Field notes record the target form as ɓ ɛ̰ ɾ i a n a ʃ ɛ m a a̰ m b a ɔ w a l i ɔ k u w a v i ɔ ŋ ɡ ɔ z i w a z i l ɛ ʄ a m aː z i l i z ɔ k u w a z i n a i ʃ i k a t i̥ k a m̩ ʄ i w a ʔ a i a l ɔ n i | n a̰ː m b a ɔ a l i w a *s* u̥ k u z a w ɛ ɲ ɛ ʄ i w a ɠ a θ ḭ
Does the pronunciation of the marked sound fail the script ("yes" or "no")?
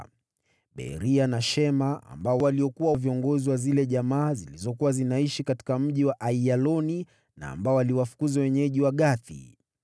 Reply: yes